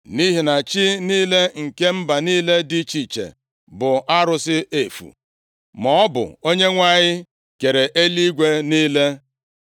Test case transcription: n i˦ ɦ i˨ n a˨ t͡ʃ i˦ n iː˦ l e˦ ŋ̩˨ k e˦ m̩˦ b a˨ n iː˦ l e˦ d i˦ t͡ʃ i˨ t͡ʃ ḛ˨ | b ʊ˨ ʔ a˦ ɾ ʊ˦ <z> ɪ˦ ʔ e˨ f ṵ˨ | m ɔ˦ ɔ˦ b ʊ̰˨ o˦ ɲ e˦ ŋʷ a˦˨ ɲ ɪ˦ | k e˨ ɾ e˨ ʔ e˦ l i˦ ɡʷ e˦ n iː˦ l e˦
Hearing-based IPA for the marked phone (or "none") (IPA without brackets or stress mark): s